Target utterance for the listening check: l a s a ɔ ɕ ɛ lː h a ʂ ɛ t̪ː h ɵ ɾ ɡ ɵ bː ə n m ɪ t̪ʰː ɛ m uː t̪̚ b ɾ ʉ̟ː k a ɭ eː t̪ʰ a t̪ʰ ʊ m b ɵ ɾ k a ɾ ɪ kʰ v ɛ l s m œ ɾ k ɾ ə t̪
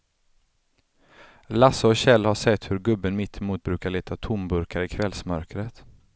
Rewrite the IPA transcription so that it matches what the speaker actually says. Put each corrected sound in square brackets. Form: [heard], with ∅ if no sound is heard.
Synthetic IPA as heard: l a s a ɔ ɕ ɛ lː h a ʂ ɛ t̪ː h ɵ ɾ ɡ ɵ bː ə n m ɪ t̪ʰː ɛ m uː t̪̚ b ɾ ʉ̟ː k a ɭ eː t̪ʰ a t̪ʰ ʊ m b ɵ ɾ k a ɾ ɪ kʰ v ɛ l s m œ ɾ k ɾ ə t̪